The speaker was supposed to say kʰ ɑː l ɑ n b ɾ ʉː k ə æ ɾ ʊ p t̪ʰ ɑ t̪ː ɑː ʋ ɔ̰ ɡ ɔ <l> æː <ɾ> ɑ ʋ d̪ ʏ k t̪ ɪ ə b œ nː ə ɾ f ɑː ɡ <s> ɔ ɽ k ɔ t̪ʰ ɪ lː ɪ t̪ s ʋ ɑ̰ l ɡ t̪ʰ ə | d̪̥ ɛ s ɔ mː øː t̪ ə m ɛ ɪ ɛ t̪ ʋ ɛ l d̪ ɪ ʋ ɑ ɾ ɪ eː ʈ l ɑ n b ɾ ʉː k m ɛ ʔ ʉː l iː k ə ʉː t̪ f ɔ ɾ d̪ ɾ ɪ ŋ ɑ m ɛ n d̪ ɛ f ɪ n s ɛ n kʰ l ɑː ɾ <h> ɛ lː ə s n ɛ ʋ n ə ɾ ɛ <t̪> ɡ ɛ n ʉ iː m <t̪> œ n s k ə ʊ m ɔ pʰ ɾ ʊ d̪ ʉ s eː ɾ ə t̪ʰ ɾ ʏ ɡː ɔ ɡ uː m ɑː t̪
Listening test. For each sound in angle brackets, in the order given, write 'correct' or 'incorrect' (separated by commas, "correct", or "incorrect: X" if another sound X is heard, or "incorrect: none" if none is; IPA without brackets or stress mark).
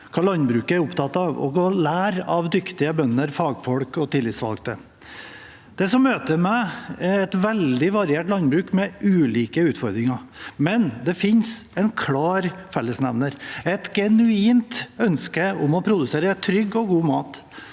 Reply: correct, correct, incorrect: f, incorrect: f, correct, correct